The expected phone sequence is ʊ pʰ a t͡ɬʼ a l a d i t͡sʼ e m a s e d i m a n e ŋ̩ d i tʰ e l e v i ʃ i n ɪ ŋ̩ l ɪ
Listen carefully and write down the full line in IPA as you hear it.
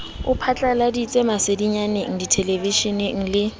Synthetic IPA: ʊ pʰ a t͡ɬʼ a l a d i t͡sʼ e m a s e d i ɲ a n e ŋ̩ d i tʰ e l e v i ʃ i n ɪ ŋ̩ l ɪ